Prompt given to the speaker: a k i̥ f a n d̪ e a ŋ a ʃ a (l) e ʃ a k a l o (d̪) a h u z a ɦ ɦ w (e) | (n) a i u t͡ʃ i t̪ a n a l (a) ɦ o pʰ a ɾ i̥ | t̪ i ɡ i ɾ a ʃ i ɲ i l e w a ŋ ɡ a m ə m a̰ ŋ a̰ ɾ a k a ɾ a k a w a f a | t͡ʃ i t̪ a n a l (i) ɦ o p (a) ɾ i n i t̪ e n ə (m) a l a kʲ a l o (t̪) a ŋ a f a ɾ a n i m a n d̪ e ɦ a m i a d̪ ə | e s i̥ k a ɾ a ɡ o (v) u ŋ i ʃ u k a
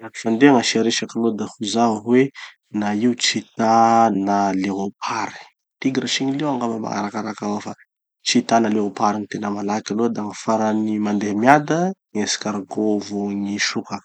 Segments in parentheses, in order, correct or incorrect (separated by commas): incorrect, correct, correct, correct, incorrect, incorrect, correct, correct, incorrect, correct